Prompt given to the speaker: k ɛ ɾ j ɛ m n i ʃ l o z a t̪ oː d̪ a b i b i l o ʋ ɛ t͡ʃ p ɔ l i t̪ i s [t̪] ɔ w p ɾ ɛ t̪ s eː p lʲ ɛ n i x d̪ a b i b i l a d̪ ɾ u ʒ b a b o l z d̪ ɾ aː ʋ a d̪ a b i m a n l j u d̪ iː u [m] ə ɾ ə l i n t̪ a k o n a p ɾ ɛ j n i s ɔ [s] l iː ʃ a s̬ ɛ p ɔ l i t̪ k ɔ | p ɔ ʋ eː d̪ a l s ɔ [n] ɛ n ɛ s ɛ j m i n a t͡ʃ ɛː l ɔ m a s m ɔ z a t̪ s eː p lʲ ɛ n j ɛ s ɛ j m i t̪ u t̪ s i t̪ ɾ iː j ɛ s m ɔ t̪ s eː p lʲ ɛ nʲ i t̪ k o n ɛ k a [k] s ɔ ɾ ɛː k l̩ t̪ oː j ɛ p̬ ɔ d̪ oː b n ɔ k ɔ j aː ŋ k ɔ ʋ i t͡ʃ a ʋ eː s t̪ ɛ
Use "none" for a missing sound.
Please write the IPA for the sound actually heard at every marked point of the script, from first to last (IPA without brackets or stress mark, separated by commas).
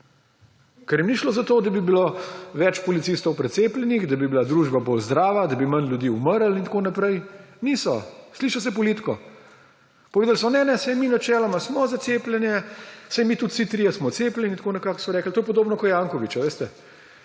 t̪, m, s, n, k